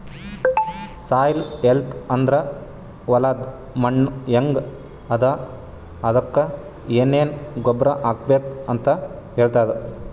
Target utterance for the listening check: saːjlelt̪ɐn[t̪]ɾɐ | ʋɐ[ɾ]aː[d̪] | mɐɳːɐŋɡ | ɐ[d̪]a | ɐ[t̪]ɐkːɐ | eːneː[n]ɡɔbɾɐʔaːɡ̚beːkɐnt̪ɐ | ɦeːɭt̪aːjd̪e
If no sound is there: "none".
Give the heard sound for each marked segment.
d̪, l, d̪, d̪, d̪, n

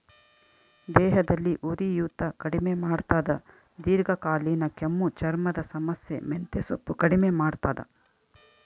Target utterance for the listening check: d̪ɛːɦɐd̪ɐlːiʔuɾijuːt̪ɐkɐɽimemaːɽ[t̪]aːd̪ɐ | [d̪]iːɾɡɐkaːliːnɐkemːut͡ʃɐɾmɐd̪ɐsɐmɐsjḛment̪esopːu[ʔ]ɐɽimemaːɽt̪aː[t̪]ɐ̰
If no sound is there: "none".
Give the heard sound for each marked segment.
t̪, d̪, k, d̪

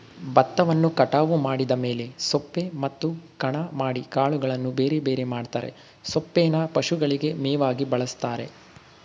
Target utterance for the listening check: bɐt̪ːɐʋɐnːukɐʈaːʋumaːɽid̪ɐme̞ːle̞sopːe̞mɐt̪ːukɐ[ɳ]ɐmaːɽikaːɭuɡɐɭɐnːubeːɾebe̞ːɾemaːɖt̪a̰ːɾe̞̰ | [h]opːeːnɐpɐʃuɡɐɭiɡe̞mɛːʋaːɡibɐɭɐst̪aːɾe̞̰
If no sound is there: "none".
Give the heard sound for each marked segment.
ɳ, s

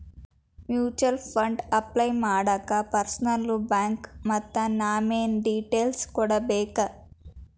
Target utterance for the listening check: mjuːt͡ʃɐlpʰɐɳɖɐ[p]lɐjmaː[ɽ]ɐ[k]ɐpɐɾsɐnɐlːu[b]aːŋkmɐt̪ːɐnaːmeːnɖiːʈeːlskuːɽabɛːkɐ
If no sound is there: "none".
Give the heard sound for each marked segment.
p, ɽ, k, b

